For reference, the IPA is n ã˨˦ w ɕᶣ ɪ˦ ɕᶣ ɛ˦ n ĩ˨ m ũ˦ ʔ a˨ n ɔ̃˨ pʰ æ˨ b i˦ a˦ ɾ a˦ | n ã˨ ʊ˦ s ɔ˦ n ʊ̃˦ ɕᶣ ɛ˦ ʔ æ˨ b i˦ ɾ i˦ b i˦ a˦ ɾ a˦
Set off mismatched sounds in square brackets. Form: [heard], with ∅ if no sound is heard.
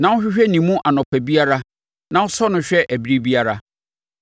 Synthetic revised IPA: n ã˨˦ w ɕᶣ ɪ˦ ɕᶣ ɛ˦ n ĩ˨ m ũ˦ ʔ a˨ n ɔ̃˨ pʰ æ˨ b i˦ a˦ ɾ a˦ | n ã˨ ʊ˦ s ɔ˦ n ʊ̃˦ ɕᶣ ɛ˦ ʔ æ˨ b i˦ ɾ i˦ b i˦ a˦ ɾ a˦

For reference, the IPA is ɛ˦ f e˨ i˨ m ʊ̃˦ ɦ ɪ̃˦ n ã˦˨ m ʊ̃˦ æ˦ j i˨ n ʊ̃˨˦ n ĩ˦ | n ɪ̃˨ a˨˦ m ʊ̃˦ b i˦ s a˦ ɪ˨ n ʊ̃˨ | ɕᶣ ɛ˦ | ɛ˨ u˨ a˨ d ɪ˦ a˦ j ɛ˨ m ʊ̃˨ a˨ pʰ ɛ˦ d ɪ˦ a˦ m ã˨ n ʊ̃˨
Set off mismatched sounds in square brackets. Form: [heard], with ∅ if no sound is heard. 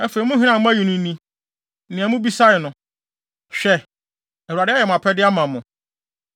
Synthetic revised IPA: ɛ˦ f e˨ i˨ m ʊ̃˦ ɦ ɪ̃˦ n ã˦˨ m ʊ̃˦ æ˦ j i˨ n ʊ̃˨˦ n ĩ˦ | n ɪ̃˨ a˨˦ m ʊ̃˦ b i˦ s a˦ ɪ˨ n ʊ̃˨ | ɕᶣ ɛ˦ | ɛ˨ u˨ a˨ d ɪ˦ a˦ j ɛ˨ m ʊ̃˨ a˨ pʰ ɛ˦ d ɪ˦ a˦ m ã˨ [m] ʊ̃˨

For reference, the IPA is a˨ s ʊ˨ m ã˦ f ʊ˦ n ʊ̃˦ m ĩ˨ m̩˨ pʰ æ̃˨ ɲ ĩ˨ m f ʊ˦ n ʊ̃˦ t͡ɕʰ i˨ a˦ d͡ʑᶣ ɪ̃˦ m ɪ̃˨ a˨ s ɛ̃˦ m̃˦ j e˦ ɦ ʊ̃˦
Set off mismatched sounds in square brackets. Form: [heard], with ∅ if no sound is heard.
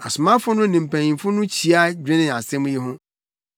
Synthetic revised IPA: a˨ s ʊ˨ m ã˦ f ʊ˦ n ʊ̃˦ [n] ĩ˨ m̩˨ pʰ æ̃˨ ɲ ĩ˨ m f ʊ˦ n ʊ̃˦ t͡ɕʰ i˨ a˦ d͡ʑᶣ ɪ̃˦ [n] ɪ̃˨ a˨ s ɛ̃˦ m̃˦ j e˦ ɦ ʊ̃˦

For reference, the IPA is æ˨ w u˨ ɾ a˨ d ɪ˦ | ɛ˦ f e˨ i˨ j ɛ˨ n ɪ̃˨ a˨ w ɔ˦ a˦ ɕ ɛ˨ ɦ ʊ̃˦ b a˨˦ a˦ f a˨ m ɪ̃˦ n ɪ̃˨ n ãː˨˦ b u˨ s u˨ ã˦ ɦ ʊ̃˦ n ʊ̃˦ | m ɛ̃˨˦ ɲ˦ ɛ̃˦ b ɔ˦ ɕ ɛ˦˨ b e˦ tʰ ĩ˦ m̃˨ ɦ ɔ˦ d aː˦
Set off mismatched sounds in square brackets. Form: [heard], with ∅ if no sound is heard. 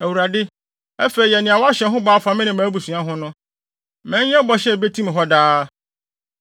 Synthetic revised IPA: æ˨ w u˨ ɾ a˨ d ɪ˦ | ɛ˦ f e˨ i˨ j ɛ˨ n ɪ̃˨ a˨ w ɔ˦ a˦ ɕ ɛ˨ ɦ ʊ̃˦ b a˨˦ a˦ f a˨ m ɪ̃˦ n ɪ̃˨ [m] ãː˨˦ b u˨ s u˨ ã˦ ɦ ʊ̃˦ n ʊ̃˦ | m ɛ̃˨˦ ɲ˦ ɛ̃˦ b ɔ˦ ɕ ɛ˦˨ b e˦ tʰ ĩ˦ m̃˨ ɦ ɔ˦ d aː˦

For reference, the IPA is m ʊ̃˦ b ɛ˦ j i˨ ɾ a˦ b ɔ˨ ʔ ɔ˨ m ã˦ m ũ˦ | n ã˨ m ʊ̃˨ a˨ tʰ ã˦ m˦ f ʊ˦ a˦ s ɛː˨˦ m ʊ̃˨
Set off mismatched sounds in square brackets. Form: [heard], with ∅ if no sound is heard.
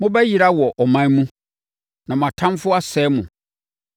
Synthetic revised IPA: m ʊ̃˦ b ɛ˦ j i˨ ɾ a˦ [w] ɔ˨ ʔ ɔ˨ m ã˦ m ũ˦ | n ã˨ m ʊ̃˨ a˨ tʰ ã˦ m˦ f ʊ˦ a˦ s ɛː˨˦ m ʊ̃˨

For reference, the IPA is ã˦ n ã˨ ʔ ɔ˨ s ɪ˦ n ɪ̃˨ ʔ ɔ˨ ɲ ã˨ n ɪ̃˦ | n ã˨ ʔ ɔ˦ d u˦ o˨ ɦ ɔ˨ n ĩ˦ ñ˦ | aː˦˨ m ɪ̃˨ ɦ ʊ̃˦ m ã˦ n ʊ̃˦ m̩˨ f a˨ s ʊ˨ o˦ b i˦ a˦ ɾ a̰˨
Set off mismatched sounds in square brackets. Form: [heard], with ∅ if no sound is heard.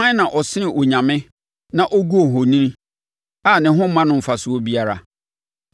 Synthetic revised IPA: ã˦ n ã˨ ʔ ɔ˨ s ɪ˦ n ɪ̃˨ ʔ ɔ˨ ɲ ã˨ [m] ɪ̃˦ | n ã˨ ʔ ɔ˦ [ɡ] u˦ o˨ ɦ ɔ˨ n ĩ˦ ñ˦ | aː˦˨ [n] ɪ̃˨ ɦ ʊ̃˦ m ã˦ n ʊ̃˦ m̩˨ f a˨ s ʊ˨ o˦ b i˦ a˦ ɾ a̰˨

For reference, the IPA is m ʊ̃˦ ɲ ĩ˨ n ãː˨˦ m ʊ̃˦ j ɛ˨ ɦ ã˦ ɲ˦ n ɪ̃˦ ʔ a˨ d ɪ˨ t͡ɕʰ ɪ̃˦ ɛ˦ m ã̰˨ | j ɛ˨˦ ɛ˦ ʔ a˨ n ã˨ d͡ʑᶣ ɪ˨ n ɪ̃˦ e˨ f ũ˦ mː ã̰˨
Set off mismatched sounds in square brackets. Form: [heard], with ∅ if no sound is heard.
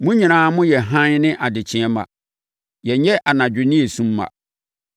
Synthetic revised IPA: m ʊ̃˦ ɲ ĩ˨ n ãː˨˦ m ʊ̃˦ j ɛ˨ ɦ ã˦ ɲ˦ n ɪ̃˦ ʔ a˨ d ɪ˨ t͡ɕʰ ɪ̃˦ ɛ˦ m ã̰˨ | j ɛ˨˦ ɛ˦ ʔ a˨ n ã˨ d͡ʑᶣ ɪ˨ n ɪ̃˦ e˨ [s] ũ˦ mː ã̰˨

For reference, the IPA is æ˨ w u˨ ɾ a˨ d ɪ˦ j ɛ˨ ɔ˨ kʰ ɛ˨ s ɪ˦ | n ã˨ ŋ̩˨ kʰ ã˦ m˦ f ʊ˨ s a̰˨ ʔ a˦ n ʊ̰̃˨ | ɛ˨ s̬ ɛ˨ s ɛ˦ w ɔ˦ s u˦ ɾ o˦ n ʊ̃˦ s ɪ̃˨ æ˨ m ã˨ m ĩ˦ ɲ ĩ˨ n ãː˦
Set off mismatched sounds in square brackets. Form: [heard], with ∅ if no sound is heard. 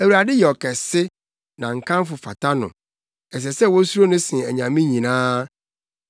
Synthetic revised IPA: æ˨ w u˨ ɾ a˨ d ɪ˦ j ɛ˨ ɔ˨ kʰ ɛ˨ s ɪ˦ | n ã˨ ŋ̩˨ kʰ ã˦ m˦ f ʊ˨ [f] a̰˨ [t] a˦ n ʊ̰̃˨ | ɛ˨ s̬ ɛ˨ s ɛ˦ w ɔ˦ s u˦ ɾ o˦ n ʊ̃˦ s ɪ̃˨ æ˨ [ɲ] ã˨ m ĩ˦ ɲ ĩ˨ n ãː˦

